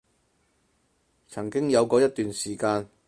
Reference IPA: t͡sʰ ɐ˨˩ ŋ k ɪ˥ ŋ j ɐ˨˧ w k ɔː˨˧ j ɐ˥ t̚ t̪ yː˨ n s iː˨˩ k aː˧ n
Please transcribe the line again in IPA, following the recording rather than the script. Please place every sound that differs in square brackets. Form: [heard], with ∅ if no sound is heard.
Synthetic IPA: t͡sʰ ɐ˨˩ ŋ k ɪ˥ ŋ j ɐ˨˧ w k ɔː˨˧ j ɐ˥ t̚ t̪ yː˨ n s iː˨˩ k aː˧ n